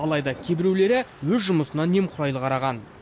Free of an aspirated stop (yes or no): no